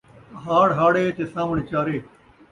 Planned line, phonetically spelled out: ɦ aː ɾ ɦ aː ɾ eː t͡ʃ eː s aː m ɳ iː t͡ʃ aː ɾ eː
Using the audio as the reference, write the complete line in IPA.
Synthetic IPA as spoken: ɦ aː ɽ ɦ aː ɽ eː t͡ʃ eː s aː m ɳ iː t͡ʃ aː ɾ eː

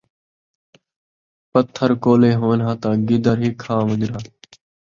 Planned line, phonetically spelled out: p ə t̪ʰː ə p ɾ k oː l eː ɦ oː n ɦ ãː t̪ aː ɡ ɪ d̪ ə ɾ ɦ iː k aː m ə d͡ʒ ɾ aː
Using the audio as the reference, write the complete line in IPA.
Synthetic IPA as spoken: p ə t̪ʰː ə ɾ k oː l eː ɦ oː n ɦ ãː t̪ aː ɡ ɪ d̪ ə ɾ ɦ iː kʰ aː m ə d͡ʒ ɾ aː

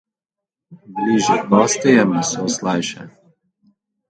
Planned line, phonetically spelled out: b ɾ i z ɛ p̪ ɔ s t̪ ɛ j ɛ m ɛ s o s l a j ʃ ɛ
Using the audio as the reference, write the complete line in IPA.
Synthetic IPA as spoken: b l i ʒ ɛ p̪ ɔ s t̪ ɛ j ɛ m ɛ s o s l a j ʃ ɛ

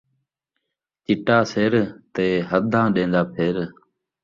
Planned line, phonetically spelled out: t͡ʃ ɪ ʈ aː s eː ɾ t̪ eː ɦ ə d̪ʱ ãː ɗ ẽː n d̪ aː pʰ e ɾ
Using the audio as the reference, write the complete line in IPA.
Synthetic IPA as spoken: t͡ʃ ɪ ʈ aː s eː ɾ t̪ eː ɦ ə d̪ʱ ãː ɗ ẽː n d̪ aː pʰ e ɾ

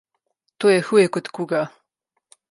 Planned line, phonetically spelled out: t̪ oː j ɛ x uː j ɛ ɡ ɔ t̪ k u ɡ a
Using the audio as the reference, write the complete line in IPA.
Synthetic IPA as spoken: t̪ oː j ɛ x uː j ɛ k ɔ t̪ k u ɡ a

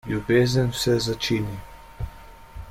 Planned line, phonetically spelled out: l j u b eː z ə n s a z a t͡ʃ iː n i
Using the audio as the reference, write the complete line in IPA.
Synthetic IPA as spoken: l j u b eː z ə n s ɛ z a t͡ʃ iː n i

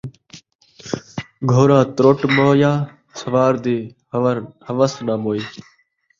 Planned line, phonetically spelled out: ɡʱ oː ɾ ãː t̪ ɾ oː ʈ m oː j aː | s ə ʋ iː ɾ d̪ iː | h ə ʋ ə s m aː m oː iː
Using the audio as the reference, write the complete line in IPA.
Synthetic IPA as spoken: ɡʱ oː ɾ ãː t̪ ɾ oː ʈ m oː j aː | s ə ʋ aː ɾ d̪ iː | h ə ʋ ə s n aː m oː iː

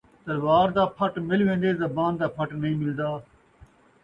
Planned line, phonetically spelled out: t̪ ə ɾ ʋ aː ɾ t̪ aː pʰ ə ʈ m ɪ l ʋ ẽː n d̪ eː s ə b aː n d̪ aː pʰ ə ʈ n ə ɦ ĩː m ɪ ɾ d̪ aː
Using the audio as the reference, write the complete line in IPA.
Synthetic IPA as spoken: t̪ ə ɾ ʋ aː ɾ d̪ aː pʰ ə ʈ m ɪ l ʋ ẽː n d̪ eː z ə b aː n d̪ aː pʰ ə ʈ n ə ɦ ĩː m ɪ l d̪ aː

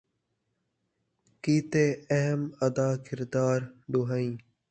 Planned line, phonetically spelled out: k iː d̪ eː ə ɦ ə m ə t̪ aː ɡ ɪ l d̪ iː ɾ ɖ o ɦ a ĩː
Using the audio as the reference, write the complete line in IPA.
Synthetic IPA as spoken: k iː t̪ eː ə ɦ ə m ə d̪ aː k ɪ ɾ d̪ aː ɾ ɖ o ɦ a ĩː

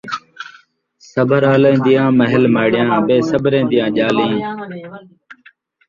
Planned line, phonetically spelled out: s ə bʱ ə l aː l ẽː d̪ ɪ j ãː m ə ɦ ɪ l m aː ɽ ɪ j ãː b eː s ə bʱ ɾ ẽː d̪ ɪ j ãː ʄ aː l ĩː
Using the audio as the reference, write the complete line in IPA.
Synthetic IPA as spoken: s ə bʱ ə ɾ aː l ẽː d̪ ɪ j ãː m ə ɦ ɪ l m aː ɽ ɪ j ãː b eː s ə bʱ ɾ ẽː d̪ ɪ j ãː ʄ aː l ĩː

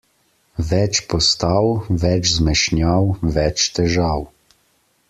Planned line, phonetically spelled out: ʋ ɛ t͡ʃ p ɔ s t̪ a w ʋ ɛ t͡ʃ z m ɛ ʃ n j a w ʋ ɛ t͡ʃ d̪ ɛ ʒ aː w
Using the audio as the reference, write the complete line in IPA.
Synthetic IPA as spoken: ʋ ɛ t͡ʃ p ɔ s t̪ a w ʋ ɛ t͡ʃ z m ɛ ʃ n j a w ʋ ɛ t͡ʃ t̪ ɛ ʒ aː w

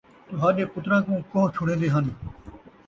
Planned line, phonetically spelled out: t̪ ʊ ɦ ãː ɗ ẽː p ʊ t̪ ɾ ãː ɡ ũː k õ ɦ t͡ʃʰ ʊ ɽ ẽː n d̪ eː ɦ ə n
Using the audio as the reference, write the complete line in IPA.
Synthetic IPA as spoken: t̪ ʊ ɦ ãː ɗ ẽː p ʊ t̪ ɾ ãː k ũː k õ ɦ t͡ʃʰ ʊ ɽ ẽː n d̪ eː ɦ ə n

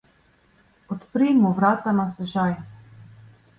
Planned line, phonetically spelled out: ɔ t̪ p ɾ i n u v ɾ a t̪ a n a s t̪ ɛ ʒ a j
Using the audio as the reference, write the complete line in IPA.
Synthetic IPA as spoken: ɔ t̪ p ɾ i m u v ɾ a t̪ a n a s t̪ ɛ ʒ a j

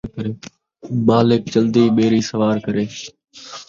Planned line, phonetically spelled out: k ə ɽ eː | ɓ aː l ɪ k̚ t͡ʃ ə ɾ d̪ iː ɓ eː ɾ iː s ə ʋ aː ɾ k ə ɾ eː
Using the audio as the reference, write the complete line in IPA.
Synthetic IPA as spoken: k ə ɾ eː | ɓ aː l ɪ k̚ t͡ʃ ə l d̪ iː ɓ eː ɾ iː s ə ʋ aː ɾ k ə ɾ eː

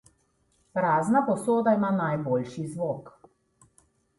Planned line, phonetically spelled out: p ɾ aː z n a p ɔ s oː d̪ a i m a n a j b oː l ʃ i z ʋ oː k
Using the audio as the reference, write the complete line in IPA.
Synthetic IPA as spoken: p ɾ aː z n a p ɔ s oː d̪ a i m a n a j b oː l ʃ i z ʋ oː k

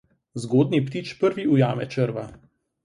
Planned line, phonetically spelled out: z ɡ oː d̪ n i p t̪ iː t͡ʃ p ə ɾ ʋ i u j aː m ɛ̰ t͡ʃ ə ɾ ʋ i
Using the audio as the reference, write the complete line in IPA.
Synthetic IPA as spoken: z ɡ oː d̪ n i p t̪ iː t͡ʃ p ə ɾ ʋ i u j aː m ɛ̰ t͡ʃ ə ɾ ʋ a

